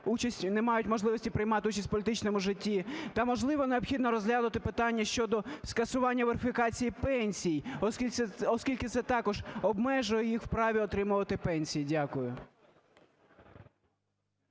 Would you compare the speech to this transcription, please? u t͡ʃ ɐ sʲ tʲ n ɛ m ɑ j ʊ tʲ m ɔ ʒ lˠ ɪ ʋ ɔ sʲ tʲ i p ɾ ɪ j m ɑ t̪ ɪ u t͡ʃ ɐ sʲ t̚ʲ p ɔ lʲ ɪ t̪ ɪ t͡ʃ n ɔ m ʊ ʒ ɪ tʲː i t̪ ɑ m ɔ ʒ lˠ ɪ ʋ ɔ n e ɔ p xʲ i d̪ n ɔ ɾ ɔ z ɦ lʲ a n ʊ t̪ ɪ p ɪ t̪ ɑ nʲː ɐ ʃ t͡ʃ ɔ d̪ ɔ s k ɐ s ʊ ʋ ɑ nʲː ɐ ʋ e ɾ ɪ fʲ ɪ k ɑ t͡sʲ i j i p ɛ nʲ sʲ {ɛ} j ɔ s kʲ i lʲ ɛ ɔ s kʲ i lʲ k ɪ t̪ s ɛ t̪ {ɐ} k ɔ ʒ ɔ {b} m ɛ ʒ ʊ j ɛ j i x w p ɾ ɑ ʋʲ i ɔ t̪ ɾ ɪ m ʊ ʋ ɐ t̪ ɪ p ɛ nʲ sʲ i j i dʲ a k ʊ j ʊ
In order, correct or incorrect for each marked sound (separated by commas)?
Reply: incorrect, incorrect, correct